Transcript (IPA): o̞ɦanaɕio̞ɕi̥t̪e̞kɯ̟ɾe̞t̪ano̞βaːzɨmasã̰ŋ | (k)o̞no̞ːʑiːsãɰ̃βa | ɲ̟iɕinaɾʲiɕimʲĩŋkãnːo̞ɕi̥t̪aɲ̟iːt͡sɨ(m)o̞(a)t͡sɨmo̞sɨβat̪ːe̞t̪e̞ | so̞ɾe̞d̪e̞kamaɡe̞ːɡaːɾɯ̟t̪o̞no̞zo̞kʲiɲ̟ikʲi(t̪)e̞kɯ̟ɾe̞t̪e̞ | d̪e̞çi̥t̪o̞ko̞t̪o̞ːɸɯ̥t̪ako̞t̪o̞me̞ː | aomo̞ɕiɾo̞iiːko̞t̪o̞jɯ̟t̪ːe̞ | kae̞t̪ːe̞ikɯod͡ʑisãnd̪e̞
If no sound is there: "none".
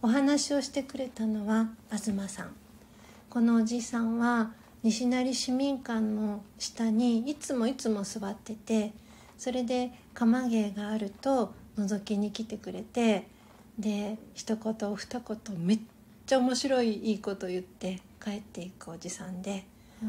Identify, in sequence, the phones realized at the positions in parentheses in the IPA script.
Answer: k, m, i, t̪

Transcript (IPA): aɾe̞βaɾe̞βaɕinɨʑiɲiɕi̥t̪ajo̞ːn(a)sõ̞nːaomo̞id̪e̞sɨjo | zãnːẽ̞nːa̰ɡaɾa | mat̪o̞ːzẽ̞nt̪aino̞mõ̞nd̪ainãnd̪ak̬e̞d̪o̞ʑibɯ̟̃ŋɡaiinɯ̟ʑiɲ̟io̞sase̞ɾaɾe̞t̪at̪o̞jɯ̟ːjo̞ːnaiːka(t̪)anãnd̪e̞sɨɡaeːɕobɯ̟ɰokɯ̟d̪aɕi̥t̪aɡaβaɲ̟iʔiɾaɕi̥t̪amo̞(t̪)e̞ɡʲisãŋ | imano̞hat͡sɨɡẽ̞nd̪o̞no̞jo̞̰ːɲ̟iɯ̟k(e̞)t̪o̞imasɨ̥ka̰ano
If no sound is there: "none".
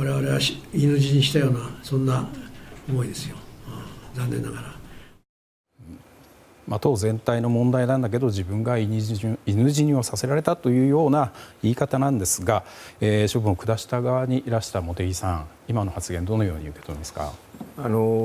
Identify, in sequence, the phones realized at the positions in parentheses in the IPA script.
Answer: a, t̪, t̪, e̞

